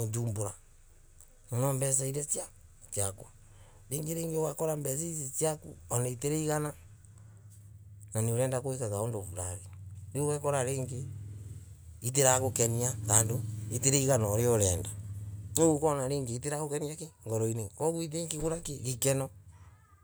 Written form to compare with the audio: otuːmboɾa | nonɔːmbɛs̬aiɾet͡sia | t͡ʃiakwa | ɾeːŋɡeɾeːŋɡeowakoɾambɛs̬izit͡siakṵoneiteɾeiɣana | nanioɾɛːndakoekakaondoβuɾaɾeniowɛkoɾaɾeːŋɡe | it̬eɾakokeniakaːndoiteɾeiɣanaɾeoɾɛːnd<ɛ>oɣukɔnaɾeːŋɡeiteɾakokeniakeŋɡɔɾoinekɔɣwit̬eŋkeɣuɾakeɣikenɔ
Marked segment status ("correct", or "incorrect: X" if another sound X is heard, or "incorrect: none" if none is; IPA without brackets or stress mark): incorrect: a